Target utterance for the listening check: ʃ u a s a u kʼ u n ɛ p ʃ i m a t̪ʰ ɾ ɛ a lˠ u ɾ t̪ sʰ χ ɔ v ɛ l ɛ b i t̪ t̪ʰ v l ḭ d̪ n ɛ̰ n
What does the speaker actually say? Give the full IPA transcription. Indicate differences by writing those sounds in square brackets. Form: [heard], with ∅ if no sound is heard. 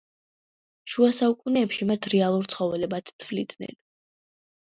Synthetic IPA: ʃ u a s a u kʼ u n [ɛː] p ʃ i m a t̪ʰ ɾ ɛ a lˠ u ɾ t̪ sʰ χ ɔ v ɛ l ɛ b [a] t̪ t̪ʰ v l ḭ d̪ n ɛ̰ n